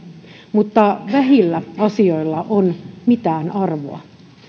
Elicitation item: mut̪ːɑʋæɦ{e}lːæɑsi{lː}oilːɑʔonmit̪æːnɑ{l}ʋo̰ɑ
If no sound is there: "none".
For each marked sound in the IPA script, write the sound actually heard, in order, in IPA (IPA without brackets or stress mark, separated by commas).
i, none, r